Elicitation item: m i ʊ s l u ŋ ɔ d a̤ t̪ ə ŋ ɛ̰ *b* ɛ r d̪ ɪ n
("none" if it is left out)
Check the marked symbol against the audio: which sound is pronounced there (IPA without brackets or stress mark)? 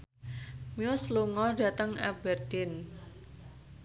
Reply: b